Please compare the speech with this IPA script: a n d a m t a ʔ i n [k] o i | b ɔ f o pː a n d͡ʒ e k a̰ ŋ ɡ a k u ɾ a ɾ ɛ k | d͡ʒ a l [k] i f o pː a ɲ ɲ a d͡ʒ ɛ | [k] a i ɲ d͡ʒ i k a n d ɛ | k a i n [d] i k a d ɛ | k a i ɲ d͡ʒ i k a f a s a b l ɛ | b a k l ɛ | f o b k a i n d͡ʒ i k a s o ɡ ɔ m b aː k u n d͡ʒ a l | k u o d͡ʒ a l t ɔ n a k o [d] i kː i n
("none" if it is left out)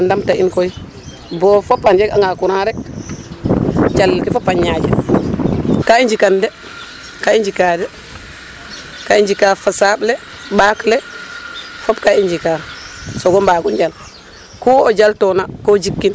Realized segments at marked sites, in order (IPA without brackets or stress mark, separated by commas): k, k, k, d͡ʒ, d͡ʒ